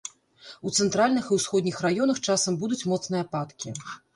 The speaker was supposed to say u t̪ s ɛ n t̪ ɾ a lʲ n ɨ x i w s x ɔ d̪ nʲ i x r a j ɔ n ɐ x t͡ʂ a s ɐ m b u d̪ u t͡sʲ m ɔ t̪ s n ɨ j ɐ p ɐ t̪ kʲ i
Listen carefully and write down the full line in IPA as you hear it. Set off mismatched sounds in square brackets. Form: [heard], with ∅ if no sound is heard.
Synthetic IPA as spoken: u t̪ s ɛ n t̪ ɾ a lʲ n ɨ x i w s x ɔ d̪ nʲ i x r a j ɔ n ɐ x t͡ʂ a s ɐ m b u d̪ u t͡sʲ m ɔ t̪ s n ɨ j ɐ p [a] t̪ kʲ i